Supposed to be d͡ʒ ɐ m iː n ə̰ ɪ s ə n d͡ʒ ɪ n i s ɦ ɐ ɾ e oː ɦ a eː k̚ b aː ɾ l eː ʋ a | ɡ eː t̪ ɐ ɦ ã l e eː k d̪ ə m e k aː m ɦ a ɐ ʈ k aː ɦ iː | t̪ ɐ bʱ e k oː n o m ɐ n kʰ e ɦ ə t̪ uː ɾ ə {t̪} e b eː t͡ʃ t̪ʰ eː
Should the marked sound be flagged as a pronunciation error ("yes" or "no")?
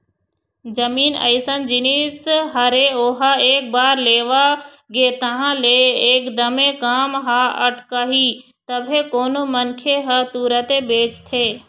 no